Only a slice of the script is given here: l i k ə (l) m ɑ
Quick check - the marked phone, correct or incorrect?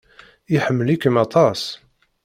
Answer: incorrect